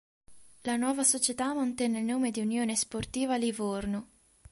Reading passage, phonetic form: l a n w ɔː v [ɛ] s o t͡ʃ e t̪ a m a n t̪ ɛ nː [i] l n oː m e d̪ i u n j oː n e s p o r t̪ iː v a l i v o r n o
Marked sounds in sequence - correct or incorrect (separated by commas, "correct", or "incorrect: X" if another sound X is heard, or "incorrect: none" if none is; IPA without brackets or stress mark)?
incorrect: a, incorrect: e